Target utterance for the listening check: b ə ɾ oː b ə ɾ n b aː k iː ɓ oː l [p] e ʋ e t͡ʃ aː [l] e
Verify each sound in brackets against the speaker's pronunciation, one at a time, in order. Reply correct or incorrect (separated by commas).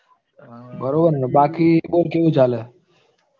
incorrect, correct